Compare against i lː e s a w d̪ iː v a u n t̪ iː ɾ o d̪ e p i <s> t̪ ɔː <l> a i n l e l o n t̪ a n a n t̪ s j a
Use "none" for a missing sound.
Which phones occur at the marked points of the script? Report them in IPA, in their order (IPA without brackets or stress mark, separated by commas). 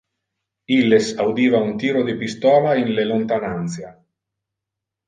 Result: s, l